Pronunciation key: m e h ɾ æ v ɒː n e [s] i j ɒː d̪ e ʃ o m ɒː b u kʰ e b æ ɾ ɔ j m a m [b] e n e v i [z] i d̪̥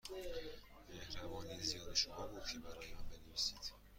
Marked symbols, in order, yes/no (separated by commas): no, yes, no